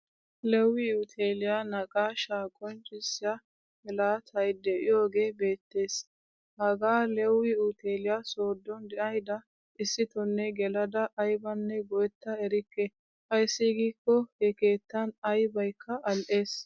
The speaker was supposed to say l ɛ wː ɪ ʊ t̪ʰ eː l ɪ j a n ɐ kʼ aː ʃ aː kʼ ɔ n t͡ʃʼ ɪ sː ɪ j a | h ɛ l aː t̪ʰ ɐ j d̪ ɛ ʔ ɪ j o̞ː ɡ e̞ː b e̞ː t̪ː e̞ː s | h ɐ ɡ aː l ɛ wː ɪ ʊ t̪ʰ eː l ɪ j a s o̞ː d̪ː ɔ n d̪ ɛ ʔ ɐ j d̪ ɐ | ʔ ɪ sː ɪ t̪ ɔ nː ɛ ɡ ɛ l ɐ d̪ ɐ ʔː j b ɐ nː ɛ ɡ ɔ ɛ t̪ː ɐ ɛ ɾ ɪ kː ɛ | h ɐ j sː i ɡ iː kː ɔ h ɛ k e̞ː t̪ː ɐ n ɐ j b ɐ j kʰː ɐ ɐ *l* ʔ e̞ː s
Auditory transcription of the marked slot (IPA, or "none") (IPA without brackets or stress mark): l